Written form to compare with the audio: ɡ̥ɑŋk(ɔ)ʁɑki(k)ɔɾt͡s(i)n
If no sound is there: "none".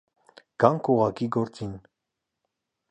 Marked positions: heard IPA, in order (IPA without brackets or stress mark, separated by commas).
u, ɡ, i